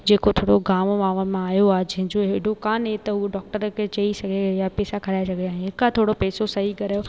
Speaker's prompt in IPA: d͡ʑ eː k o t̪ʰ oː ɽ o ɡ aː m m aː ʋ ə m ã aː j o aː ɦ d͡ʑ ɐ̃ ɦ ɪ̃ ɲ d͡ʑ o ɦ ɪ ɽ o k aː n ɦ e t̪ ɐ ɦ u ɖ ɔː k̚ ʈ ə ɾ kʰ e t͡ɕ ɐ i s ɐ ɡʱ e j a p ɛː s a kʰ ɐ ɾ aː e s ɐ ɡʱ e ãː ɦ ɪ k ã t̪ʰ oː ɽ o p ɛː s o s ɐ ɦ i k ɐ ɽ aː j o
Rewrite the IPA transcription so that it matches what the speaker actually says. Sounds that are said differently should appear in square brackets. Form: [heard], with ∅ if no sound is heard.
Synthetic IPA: d͡ʑ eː k o t̪ʰ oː ɽ o ɡ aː m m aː ʋ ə m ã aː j o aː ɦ d͡ʑ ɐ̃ ɦ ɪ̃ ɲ d͡ʑ o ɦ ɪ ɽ o k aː n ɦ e t̪ ɐ ɦ u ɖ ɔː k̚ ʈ ə ɾ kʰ e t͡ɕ ɐ i s ɐ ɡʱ e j a p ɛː s a kʰ ɐ ɾ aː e s ɐ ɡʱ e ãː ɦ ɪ k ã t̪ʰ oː ɽ o p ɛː s o s ɐ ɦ i k ɐ [ɾ] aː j o